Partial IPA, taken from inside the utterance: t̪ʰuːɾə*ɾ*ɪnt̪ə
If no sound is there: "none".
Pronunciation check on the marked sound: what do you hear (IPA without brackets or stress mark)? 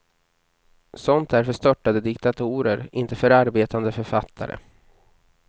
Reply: ɾ